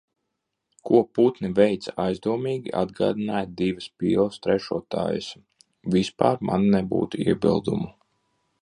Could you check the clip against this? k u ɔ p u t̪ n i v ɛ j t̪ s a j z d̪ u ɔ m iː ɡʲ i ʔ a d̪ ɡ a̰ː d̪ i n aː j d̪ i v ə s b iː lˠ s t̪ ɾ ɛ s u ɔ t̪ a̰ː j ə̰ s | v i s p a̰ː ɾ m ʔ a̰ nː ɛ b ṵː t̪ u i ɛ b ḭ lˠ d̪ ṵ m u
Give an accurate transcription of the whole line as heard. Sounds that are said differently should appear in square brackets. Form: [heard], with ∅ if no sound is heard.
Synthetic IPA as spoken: k u ɔ p u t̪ n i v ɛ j t̪ s a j z d̪ u ɔ m iː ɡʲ i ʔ a d̪ ɡ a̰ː d̪ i n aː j d̪ i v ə s [p] iː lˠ s t̪ ɾ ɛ [ʃ] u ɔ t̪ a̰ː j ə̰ s | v i s p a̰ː ɾ m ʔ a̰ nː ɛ b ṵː t̪ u i ɛ b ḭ lˠ d̪ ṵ m u